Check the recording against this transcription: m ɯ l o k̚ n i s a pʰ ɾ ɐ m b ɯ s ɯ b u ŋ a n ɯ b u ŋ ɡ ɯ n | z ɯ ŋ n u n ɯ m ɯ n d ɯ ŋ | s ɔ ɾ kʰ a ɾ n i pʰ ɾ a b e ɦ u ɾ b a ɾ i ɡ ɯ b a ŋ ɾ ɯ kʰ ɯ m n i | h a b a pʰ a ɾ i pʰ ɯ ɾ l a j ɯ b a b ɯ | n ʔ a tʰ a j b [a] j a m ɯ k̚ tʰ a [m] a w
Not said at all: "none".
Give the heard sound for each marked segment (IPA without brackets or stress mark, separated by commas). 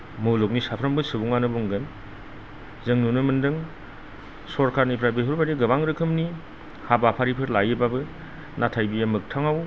i, ŋ